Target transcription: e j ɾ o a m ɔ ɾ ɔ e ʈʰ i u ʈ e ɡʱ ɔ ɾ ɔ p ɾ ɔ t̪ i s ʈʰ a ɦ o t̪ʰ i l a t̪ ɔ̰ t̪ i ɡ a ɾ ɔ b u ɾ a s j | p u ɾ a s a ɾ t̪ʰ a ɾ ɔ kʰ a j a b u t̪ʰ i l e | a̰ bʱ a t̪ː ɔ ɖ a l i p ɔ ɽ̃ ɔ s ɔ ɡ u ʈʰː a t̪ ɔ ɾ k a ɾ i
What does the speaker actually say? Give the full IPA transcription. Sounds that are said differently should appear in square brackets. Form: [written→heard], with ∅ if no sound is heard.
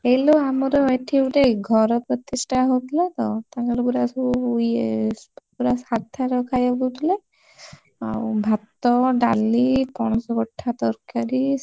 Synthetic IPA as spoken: e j [ɾ→l] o a m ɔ ɾ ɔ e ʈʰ i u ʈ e ɡʱ ɔ ɾ ɔ p ɾ ɔ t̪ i s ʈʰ a ɦ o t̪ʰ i l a t̪ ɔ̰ t̪ [i→a] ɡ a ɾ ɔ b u ɾ a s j | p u ɾ a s a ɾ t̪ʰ a ɾ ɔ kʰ a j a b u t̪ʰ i l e | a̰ bʱ a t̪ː ɔ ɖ a l i p ɔ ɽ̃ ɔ s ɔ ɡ [u→ɔ] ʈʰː a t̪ ɔ ɾ k a ɾ i